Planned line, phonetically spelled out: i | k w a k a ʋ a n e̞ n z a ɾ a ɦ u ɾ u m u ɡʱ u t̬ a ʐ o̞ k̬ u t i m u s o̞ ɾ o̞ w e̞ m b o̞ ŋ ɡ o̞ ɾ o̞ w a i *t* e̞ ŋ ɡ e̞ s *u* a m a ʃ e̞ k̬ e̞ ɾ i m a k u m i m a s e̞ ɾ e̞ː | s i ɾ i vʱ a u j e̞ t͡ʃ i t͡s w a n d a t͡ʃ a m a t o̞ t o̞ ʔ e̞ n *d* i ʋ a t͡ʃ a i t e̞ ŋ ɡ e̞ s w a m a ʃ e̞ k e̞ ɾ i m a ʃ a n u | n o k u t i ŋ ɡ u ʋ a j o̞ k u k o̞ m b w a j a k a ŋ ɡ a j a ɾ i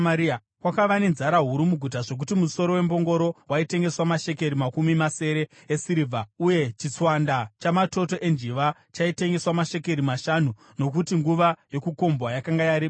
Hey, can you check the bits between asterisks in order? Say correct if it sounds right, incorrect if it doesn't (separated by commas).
correct, incorrect, incorrect